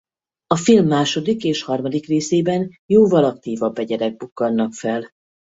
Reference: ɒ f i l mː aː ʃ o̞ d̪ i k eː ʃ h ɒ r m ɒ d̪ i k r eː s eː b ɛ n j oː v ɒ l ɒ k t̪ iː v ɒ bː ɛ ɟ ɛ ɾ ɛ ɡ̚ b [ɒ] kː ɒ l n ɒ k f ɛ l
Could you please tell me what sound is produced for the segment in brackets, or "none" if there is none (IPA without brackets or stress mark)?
u